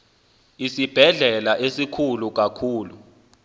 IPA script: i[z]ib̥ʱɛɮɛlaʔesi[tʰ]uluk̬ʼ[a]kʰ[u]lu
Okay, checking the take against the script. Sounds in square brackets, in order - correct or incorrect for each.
incorrect: s, incorrect: kʰ, correct, incorrect: uː

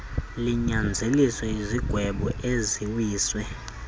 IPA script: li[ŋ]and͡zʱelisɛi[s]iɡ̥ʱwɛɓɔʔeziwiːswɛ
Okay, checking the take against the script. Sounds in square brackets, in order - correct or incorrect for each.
incorrect: ɲ, incorrect: z

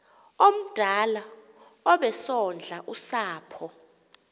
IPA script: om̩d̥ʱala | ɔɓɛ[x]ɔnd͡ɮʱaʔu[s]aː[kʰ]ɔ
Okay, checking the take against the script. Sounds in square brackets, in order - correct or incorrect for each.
incorrect: s, correct, incorrect: pʰ

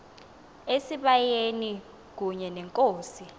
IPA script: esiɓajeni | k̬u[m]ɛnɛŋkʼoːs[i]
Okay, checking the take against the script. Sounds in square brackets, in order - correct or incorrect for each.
incorrect: ɲ, correct

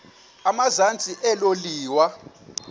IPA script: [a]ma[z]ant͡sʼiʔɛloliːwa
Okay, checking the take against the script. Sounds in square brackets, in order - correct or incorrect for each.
correct, correct

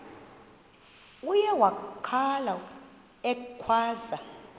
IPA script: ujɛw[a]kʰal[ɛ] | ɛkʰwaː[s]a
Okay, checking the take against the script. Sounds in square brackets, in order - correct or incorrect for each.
correct, incorrect: a, incorrect: z

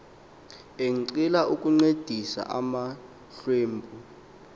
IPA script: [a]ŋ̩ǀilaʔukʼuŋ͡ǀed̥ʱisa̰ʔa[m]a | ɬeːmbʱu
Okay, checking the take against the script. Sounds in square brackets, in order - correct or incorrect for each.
incorrect: e, correct

